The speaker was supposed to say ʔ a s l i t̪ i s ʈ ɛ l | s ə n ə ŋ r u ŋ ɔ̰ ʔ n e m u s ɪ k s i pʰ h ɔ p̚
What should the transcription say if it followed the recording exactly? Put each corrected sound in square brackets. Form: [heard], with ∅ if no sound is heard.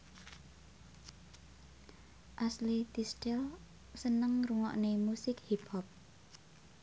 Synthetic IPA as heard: ʔ a s l i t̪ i s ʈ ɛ l | s ə n ə ŋ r u ŋ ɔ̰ ʔ n e m u s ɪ k [h] i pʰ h ɔ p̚